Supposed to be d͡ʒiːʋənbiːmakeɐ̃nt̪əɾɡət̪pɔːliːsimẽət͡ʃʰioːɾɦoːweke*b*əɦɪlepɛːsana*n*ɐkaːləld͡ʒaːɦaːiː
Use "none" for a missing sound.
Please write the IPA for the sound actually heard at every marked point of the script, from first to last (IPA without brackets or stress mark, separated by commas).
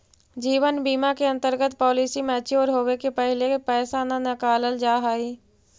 p, n